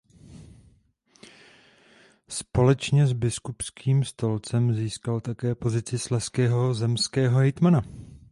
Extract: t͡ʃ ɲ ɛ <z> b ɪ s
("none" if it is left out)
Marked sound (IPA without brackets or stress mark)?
z